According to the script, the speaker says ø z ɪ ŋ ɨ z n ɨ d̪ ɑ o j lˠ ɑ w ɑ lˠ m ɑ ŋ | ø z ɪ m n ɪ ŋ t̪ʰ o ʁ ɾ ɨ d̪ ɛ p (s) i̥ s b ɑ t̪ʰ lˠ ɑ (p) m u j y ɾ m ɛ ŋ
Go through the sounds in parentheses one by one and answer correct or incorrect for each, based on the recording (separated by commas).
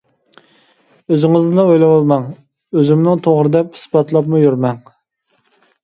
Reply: incorrect, correct